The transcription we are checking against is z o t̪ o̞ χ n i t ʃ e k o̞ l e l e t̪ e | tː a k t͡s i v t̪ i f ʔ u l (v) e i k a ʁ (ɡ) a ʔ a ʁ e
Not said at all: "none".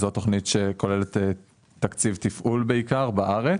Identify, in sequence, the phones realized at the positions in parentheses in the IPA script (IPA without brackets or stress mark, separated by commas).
b, b